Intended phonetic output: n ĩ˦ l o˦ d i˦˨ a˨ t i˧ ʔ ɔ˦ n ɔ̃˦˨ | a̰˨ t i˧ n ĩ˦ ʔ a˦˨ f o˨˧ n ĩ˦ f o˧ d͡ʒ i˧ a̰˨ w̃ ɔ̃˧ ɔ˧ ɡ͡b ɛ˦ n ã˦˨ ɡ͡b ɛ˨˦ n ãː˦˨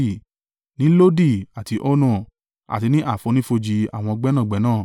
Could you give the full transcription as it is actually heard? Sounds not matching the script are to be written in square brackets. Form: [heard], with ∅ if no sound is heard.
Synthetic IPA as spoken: n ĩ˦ l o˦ d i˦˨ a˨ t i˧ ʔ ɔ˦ n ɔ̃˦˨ | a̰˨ t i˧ n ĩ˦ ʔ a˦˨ f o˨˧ n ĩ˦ f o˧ d͡ʒ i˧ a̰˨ w̃ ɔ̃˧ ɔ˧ ɡ͡b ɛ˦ n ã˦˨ ɡ͡b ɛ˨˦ n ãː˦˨